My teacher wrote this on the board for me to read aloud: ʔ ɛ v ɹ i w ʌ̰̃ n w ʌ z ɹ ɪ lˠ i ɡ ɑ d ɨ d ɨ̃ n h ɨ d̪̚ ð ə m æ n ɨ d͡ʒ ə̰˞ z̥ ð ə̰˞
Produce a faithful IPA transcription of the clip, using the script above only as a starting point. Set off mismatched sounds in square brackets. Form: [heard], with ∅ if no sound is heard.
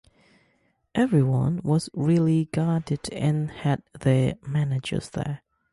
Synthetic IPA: ʔ ɛ v ɹ i w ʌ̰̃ n w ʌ z ɹ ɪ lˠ i ɡ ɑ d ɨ d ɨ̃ n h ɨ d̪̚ ð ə m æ n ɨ d͡ʒ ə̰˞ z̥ ð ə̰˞

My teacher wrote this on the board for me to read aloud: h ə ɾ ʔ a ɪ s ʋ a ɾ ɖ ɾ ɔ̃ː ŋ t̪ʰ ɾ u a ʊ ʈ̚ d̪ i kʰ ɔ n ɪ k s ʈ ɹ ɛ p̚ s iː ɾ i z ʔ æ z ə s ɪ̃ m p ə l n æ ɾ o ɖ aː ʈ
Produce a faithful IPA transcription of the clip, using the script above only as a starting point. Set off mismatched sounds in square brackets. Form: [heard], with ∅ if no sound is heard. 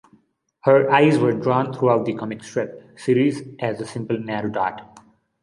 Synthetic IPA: h ə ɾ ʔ a ɪ [z] ʋ [ə] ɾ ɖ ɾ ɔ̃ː [n] t̪ʰ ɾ u a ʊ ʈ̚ d̪ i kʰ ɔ [m] ɪ k s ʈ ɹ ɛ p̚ s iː ɾ i z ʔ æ z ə s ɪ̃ m p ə l n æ ɾ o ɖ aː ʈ

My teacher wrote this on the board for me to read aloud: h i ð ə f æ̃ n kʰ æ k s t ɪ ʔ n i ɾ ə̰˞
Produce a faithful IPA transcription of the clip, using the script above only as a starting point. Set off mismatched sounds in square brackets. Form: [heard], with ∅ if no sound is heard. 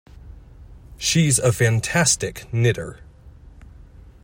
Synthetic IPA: [ʃ] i [z] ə f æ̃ n [tʰ] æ [∅] s t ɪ [k] n [ɪ] ɾ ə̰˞

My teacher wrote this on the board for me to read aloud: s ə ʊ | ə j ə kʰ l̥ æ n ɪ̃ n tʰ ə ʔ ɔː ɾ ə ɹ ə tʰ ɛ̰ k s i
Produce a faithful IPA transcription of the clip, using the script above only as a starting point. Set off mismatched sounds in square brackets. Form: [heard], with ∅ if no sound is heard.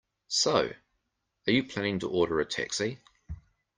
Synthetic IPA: s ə ʊ | ə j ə [pʰ] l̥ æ n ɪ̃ [ŋ] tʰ ə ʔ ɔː ɾ ə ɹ ə tʰ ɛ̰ k s i

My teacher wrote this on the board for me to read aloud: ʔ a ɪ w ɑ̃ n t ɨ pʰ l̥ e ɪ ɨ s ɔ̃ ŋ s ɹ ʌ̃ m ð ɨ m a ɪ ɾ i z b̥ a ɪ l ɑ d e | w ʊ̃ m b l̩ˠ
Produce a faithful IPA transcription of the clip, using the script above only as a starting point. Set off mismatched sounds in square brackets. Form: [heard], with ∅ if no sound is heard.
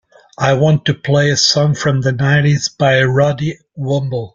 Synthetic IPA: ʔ a ɪ w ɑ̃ n t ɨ pʰ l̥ e ɪ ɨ s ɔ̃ ŋ [f] ɹ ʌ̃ m ð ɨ [n] a ɪ ɾ i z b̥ a ɪ [ɹ] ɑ d [i] | w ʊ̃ m b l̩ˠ

